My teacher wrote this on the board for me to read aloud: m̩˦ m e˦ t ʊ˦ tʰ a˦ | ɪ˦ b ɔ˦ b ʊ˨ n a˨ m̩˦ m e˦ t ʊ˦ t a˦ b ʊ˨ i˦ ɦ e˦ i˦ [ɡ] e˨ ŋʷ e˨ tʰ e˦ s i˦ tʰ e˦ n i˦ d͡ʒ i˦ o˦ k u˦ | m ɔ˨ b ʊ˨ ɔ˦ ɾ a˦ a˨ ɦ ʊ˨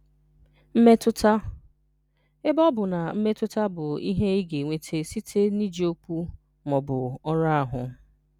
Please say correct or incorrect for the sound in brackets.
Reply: correct